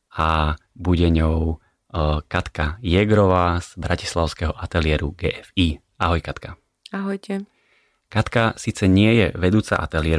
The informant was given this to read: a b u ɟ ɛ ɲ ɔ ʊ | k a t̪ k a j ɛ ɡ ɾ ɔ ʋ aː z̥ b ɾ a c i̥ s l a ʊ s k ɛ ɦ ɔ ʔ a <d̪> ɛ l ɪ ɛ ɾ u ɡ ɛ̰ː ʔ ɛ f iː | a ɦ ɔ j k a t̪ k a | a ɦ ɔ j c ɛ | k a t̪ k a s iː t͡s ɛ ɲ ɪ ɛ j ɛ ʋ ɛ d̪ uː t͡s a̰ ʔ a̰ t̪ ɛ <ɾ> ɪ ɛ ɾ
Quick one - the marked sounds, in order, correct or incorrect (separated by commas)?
incorrect, incorrect